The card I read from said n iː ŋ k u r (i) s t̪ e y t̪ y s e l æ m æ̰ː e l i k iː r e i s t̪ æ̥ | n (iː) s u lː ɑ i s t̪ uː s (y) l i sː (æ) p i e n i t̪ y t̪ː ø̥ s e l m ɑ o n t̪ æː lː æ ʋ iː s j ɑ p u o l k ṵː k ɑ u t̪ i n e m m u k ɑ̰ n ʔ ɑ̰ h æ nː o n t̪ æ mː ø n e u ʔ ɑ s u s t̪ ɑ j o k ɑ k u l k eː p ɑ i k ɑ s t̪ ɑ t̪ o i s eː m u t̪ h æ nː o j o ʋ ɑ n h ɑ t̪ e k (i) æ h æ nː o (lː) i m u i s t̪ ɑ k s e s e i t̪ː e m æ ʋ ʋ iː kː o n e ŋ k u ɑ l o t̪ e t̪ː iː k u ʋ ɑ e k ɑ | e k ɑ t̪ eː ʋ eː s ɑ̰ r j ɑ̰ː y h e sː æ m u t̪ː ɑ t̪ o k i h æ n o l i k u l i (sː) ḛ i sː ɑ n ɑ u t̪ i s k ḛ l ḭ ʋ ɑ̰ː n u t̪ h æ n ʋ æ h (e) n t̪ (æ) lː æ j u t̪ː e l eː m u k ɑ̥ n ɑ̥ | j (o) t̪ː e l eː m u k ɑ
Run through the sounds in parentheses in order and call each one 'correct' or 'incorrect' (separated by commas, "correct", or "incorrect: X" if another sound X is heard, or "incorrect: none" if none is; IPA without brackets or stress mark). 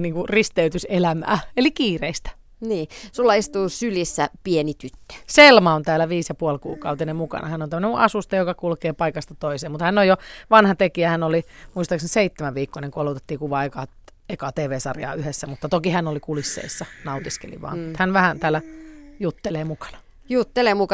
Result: correct, correct, correct, correct, correct, incorrect: l, correct, incorrect: æ, incorrect: æː, incorrect: u